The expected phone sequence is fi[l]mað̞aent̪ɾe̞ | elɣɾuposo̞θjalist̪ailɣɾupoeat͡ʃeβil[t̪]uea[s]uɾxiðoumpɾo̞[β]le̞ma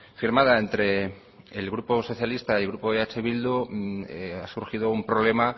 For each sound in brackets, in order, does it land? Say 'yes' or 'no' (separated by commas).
no, no, yes, yes